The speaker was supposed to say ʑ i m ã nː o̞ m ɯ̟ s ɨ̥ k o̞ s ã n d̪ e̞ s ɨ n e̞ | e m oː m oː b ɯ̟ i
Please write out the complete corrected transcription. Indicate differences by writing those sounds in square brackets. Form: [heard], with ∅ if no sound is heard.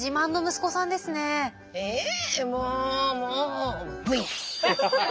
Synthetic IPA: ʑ i m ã nː o̞ m ɯ̟ s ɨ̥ k o̞ s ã n d̪ e̞ s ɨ n e̞ | e m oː m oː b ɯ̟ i